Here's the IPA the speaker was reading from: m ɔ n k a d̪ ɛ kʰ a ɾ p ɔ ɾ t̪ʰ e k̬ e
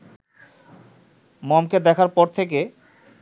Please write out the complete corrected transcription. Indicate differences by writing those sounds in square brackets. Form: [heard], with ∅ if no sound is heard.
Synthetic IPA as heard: m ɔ [m] k [e] d̪ ɛ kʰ a ɾ p ɔ ɾ t̪ʰ e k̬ e